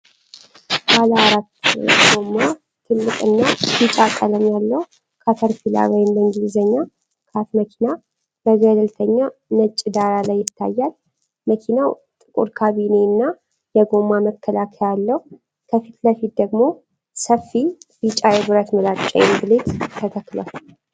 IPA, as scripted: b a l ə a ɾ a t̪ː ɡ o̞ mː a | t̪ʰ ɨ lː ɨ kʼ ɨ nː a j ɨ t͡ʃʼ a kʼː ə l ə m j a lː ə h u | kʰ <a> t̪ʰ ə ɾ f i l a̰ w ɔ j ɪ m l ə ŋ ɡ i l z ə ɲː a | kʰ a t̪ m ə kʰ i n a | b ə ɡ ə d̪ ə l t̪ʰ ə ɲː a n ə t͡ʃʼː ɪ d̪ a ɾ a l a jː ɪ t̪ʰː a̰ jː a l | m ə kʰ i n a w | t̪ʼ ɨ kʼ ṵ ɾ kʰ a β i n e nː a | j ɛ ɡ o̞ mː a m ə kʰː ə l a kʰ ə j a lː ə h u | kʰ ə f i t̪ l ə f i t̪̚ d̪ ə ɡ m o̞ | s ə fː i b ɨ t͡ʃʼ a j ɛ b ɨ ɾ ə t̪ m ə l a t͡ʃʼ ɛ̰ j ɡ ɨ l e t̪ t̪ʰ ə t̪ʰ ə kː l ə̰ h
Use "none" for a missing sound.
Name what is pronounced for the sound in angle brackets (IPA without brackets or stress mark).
a